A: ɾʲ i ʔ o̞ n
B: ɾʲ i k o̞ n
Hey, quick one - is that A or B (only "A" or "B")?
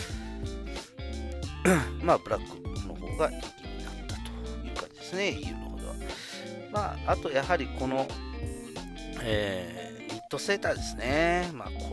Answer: B